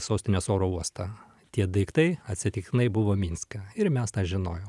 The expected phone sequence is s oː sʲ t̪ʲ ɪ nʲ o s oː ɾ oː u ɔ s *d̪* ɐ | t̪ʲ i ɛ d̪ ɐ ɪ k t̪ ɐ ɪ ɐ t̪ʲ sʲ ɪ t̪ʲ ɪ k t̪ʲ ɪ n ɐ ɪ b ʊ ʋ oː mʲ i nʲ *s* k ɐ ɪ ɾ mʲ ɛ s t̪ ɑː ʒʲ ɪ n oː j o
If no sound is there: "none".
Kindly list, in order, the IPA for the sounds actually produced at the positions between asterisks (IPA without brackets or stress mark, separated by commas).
t̪, s